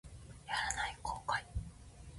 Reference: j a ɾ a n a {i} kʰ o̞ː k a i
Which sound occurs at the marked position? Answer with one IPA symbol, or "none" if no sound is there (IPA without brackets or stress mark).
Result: i